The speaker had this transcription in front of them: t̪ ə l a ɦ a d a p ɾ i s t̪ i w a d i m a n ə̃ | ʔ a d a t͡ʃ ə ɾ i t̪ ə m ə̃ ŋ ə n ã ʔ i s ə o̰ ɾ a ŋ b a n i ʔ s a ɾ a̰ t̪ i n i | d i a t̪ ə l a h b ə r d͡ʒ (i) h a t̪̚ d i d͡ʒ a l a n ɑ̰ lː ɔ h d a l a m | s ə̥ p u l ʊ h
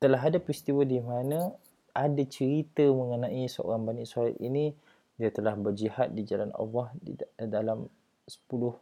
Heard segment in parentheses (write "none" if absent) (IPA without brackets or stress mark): i